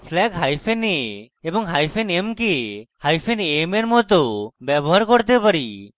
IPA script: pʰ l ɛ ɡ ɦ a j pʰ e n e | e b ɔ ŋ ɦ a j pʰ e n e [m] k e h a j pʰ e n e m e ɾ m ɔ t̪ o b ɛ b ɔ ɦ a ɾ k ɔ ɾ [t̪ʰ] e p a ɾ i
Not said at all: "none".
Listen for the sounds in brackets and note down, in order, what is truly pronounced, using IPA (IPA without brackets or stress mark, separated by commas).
m, t̪